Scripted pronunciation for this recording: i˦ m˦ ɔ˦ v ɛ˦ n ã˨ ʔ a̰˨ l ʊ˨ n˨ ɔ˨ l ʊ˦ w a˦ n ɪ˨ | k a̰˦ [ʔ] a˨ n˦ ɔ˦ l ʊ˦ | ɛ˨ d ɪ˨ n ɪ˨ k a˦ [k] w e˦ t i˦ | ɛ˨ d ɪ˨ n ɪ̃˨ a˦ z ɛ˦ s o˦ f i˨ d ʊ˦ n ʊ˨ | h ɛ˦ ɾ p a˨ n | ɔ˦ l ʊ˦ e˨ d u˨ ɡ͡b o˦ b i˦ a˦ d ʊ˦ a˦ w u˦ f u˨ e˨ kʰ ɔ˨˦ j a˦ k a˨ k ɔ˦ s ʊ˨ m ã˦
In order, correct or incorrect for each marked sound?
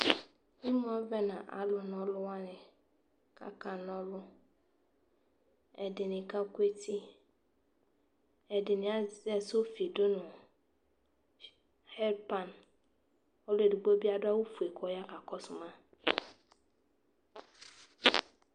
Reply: incorrect: k, correct

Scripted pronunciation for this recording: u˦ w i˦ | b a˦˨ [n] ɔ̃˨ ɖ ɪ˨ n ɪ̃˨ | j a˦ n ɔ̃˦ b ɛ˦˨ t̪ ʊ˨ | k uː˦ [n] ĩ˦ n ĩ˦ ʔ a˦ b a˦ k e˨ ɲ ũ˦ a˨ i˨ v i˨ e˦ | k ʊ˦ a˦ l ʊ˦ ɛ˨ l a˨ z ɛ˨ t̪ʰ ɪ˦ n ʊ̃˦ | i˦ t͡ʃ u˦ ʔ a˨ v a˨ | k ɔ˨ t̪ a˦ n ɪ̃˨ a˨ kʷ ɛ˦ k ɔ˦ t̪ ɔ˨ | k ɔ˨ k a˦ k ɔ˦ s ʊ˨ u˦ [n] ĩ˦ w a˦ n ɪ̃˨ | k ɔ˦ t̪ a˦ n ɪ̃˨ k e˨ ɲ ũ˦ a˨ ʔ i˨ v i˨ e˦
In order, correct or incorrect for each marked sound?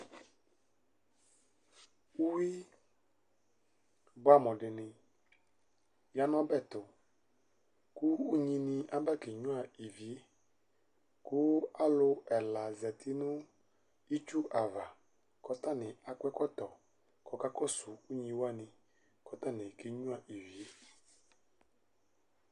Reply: incorrect: m, incorrect: ɲ, incorrect: ɲ

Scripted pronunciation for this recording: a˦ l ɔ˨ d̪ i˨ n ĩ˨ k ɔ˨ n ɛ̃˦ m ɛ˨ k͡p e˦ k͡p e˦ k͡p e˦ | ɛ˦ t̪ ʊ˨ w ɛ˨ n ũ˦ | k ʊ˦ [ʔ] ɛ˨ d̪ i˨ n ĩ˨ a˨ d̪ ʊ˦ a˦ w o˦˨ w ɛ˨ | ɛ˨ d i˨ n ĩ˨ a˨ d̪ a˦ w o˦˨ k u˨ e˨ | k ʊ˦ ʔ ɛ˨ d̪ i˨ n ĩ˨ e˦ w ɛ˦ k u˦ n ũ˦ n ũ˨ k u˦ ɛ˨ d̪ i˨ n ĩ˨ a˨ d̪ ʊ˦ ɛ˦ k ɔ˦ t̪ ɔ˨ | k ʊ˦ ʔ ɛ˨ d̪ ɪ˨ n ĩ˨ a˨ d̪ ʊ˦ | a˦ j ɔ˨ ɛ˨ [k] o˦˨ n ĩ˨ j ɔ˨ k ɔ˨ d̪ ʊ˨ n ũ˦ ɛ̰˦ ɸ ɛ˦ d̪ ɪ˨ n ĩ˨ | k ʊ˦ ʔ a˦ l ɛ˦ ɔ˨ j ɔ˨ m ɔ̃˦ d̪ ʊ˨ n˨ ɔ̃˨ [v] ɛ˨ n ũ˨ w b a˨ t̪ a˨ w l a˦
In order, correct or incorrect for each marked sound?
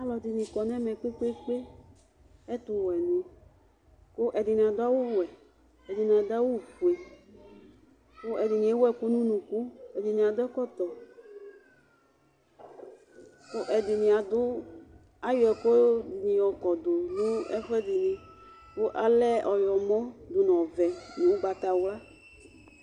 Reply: correct, correct, correct

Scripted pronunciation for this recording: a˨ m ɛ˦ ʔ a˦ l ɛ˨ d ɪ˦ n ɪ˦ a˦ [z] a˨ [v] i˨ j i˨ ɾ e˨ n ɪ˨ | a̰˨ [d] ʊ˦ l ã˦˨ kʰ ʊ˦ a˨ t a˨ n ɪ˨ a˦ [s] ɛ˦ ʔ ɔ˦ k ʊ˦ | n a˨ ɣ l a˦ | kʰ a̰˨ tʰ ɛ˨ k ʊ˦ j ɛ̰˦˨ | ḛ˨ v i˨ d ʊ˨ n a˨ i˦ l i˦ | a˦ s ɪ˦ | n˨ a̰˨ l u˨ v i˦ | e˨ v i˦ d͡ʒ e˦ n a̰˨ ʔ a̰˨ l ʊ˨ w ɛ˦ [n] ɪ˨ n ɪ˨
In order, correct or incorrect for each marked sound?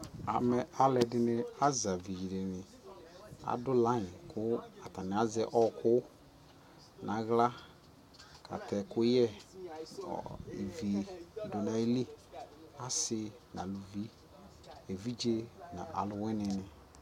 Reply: correct, correct, correct, incorrect: z, correct

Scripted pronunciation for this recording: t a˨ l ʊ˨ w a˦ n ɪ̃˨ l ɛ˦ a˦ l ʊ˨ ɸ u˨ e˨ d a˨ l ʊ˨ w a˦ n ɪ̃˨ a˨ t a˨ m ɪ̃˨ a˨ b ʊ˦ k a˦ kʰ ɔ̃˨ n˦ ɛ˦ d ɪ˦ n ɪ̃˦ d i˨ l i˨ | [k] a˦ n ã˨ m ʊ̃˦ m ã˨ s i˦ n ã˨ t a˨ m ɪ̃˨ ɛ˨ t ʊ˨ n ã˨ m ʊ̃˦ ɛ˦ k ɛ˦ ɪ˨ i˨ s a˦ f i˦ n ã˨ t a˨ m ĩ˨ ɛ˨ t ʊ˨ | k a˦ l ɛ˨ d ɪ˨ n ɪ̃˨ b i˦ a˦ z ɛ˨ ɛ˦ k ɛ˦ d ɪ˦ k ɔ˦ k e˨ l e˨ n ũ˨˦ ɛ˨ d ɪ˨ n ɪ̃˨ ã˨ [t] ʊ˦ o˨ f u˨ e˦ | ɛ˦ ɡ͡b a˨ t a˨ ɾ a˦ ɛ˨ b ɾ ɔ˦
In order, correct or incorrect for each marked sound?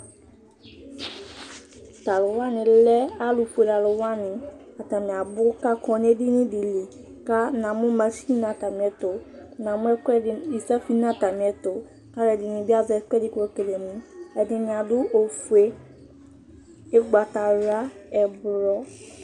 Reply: correct, incorrect: d

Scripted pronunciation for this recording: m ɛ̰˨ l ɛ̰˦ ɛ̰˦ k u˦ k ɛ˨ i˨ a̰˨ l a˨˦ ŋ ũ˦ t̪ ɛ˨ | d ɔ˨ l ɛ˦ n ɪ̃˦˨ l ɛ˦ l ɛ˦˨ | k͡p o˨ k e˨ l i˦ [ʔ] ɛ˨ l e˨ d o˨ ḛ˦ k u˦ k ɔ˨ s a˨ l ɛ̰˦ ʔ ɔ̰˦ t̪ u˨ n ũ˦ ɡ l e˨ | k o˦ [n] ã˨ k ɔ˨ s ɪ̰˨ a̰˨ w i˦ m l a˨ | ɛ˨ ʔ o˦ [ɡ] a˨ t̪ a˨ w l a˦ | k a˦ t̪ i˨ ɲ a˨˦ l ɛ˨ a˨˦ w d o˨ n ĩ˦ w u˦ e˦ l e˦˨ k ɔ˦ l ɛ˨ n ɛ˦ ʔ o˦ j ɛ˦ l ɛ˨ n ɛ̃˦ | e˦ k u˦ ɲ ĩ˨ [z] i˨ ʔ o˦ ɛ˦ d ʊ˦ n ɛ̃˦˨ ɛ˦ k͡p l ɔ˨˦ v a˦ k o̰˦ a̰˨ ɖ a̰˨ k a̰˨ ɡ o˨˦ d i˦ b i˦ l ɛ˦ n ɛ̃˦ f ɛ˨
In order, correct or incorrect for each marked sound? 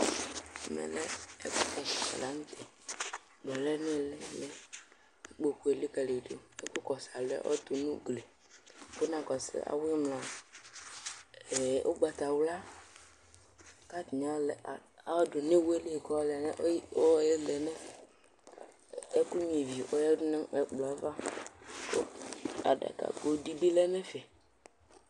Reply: incorrect: k, correct, incorrect: ɡ͡b, incorrect: v

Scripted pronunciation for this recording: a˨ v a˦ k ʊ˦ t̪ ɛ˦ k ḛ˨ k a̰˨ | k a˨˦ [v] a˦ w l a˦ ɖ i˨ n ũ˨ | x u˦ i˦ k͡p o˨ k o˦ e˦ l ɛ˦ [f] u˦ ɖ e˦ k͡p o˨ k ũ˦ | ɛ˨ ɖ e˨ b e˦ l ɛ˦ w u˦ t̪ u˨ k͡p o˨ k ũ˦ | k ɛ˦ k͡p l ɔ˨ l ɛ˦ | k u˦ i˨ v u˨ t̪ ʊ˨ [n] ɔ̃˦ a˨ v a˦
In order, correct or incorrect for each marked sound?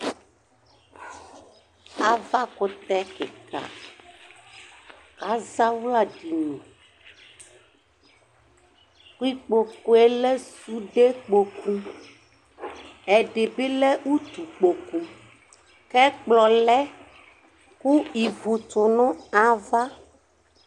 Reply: incorrect: z, incorrect: s, correct

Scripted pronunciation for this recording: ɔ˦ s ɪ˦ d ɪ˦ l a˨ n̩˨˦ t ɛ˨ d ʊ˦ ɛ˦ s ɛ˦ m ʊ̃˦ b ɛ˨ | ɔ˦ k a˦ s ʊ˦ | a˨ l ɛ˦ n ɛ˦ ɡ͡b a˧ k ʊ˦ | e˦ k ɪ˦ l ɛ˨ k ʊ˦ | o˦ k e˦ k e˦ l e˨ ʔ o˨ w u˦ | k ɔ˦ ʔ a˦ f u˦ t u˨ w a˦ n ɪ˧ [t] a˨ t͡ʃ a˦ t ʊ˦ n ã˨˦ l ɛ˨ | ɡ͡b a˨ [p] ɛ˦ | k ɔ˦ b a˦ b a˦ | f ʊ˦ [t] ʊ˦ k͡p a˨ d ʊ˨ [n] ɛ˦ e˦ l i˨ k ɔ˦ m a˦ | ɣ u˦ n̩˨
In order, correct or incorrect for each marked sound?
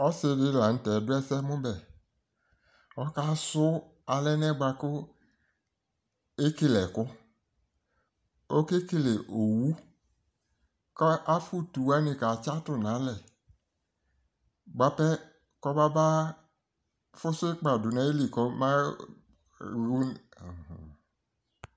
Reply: incorrect: k, correct, incorrect: s, correct

